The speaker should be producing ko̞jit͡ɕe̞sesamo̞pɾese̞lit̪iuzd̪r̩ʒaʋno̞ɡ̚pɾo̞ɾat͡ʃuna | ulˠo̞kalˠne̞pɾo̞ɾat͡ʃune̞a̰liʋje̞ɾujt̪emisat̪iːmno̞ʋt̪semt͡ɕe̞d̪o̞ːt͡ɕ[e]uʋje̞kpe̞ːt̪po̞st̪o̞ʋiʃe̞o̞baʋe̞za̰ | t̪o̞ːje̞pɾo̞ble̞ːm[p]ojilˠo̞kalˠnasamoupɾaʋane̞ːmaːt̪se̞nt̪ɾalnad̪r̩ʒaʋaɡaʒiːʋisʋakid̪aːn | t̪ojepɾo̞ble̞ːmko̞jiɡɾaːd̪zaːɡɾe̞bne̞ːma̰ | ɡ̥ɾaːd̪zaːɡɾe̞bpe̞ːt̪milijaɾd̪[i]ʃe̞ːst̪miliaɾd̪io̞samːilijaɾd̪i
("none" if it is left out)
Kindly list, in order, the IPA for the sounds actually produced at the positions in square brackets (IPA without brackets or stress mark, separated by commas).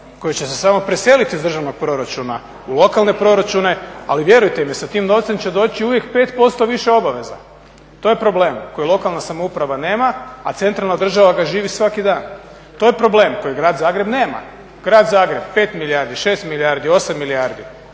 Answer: i, k, i